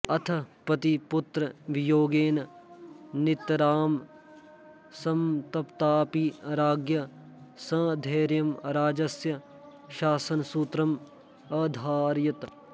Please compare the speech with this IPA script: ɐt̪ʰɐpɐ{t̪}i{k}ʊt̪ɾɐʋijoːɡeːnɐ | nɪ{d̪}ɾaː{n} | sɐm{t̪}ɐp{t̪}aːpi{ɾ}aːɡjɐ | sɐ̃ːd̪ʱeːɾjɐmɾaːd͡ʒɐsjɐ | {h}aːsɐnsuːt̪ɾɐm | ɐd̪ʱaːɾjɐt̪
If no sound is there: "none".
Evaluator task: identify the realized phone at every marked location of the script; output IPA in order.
t̪, p, t̪, m, t̪, t̪, ɾ, ʃ

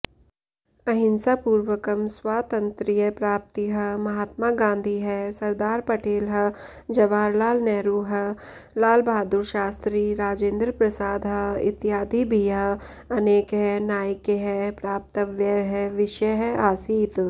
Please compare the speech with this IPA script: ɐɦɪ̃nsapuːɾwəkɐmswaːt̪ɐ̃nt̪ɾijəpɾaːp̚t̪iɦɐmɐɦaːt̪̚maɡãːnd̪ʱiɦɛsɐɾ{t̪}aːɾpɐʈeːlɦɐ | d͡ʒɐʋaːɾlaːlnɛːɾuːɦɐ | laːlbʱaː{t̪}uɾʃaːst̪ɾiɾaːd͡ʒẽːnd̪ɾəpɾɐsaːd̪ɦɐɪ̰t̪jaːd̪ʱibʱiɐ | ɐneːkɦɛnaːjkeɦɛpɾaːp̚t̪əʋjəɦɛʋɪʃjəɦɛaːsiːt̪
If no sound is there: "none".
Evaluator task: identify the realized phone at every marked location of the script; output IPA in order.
d̪, d̪

